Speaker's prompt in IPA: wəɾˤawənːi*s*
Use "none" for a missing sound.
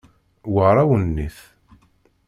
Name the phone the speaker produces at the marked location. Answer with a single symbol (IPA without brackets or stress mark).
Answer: θ